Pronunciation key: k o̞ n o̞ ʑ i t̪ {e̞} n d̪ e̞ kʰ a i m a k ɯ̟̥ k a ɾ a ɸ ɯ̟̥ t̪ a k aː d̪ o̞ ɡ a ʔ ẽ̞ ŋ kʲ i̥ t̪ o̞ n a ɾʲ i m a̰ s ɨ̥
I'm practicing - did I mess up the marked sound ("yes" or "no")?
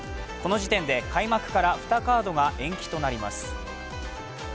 yes